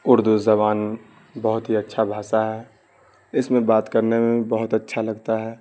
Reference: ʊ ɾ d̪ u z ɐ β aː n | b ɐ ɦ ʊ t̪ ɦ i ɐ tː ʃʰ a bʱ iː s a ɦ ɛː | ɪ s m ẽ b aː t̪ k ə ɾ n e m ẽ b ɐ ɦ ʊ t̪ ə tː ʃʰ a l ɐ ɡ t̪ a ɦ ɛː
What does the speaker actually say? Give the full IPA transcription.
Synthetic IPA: ʊ ɾ d̪ u z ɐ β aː n | b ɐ ɦ ʊ t̪ ɦ i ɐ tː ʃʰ a bʱ aː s a ɦ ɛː | ɪ s m ẽ b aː t̪ k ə ɾ n e m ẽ b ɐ ɦ ʊ t̪ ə tː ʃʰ a l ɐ ɡ t̪ a ɦ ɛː